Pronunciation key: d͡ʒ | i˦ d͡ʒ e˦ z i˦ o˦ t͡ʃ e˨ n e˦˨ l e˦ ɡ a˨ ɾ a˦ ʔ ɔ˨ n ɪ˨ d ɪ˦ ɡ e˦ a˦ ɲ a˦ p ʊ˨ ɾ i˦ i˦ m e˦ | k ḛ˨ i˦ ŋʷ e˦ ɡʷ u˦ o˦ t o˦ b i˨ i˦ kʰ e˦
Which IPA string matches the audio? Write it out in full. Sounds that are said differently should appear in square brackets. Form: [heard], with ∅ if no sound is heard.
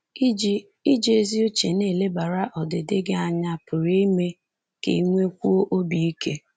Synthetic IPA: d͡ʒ | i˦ d͡ʒ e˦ z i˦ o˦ t͡ʃ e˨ n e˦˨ l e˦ [b] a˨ ɾ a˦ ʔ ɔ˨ [d] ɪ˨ d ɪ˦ ɡ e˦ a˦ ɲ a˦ p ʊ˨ ɾ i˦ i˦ m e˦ | k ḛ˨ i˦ ŋʷ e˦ [kʷ] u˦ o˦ [ʔ] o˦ b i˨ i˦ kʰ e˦